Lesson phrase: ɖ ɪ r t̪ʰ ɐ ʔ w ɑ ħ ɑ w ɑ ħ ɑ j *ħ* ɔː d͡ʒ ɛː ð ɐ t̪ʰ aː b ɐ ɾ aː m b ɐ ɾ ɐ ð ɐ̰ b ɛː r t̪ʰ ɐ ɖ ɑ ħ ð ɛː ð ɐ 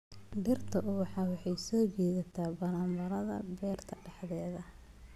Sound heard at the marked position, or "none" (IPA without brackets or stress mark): s